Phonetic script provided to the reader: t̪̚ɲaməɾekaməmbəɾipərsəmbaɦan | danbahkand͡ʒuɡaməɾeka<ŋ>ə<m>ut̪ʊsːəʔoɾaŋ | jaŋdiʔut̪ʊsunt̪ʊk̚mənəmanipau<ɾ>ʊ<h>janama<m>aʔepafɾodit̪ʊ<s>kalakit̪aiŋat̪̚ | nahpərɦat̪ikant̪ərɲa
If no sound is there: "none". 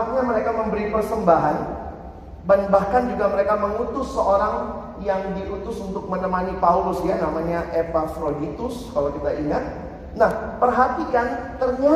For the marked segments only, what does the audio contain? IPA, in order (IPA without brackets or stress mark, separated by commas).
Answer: m, ŋ, l, s, ɲ, s